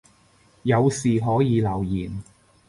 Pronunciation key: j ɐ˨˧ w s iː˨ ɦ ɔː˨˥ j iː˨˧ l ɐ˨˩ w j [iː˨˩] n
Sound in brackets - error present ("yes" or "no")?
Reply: no